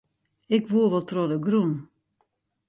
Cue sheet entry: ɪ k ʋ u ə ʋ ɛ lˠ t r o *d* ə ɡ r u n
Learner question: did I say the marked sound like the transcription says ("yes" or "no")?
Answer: yes